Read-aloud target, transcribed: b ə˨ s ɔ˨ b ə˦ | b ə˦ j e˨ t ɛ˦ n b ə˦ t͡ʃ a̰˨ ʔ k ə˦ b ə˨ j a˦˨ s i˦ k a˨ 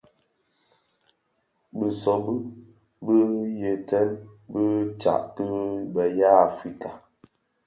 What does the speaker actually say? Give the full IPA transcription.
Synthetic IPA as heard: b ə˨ s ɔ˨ b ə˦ | b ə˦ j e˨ t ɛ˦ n b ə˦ t͡ʃ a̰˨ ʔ k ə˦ b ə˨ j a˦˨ f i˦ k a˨

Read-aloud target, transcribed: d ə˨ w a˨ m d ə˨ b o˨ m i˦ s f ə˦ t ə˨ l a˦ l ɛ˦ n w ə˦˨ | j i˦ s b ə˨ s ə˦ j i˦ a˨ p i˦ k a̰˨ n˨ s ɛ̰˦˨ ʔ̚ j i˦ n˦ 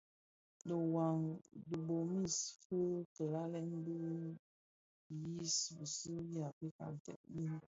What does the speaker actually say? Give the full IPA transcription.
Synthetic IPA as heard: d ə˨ w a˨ ŋ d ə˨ b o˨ m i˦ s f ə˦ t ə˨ l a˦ l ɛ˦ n b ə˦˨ | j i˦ s b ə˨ s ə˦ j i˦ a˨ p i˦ k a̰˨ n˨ t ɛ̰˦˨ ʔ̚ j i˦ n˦

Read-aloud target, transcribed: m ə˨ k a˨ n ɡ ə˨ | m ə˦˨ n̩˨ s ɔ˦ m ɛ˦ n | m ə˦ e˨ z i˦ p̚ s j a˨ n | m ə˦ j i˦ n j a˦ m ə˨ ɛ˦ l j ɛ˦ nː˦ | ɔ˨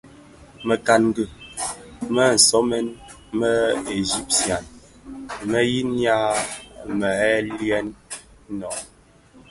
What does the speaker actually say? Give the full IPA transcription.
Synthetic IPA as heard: m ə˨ k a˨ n ɡ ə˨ | m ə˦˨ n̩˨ s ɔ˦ m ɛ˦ n | m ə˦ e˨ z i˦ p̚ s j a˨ n | m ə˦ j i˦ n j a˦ m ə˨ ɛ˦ l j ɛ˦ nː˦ | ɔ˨

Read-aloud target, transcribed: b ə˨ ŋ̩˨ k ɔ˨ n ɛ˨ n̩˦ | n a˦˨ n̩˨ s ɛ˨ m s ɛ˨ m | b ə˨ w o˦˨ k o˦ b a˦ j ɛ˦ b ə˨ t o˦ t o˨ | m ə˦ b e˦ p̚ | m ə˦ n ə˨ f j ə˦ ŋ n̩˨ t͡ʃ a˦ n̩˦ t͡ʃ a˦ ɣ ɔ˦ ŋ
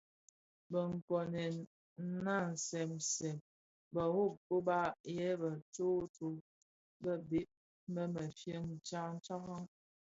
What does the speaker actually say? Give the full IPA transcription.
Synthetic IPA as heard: b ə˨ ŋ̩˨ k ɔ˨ n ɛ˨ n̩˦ | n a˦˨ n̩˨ s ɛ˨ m s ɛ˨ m | b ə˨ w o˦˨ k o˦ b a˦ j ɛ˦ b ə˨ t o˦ t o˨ | b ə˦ b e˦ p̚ | m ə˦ m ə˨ f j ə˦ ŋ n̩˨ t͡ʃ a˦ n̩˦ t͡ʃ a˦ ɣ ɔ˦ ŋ

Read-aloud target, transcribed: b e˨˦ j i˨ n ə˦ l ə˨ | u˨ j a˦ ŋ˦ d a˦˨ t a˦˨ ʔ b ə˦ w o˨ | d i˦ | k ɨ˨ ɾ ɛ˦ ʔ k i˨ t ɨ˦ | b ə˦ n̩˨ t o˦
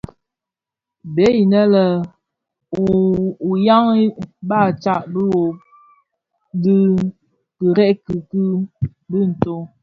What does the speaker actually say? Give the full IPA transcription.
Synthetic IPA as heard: b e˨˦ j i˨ n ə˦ l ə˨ | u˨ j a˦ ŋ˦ b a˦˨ t͡ʃ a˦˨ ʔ b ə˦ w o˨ | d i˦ | k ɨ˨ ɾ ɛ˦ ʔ k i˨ k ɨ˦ | b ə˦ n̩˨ t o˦

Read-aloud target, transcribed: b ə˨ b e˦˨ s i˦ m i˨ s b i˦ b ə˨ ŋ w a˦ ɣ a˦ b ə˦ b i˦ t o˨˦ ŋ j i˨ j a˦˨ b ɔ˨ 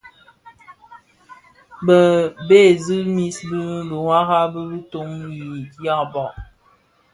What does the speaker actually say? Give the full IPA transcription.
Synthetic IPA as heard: b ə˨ b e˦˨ z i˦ m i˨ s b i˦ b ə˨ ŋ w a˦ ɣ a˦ b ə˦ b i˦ t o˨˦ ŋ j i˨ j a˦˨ b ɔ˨

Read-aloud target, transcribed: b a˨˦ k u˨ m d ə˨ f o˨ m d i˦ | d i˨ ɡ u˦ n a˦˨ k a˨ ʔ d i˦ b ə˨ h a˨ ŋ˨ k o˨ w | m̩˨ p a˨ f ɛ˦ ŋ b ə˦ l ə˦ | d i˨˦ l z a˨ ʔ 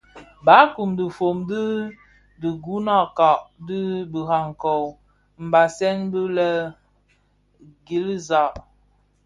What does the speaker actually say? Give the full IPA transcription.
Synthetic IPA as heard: b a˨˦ k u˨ m d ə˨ f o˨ m d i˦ | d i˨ ɡ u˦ n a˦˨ k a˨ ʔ d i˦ b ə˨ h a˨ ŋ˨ k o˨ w | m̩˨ b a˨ s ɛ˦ ŋ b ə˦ l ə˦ | ɡ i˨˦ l z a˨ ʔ

